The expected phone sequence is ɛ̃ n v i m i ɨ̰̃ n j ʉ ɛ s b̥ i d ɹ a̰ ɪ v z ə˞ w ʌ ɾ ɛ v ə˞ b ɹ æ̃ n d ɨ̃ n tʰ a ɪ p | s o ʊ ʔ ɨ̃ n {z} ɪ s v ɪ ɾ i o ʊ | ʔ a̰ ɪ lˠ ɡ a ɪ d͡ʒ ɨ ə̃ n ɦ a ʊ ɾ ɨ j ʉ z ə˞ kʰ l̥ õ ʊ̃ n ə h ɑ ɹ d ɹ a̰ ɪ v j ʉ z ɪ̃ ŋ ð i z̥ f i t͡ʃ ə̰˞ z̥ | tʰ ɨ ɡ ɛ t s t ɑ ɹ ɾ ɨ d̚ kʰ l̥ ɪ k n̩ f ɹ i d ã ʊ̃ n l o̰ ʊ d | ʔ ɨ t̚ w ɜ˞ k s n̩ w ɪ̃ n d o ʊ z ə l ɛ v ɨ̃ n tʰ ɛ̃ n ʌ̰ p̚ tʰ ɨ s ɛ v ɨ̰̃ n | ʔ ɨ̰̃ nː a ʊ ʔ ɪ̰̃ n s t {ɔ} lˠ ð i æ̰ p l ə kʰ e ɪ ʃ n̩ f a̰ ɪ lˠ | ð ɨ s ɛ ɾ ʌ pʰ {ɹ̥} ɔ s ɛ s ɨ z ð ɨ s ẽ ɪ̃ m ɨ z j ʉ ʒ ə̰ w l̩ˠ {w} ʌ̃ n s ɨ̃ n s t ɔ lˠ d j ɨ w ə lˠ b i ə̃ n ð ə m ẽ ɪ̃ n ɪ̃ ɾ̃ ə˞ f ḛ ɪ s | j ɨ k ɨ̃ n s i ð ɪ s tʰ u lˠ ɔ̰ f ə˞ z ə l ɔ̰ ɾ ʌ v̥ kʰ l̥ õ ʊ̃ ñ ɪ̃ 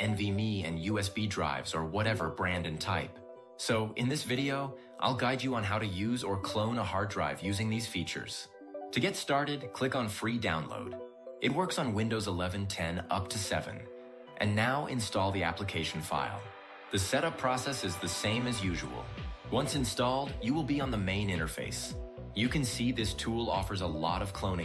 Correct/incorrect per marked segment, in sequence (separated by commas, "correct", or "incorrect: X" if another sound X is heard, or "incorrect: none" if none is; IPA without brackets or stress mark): incorrect: ð, correct, correct, correct